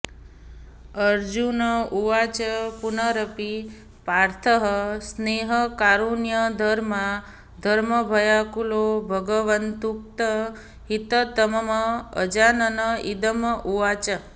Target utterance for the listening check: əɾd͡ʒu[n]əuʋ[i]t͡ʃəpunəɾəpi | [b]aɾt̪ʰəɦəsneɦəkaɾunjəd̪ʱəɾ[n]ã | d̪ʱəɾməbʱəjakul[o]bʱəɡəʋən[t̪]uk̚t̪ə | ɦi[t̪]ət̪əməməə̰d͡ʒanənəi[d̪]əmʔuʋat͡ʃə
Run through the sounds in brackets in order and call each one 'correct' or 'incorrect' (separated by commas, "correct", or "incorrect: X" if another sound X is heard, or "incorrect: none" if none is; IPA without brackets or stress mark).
correct, incorrect: a, incorrect: p, incorrect: m, correct, correct, correct, correct